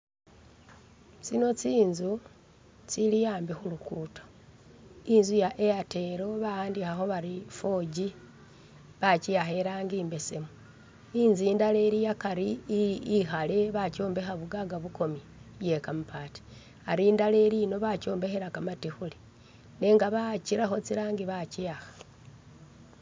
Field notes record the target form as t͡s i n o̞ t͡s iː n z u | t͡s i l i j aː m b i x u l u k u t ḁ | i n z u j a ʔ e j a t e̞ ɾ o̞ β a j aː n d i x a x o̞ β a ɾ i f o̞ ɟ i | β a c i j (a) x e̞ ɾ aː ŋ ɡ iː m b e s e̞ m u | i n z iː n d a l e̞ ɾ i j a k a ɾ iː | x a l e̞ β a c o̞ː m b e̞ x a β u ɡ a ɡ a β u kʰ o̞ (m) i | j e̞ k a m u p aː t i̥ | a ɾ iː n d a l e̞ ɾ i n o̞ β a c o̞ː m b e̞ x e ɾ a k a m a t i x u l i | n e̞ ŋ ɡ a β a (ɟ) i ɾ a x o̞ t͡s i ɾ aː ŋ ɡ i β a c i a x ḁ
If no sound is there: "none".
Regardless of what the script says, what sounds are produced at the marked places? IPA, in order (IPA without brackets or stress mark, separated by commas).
a, m, c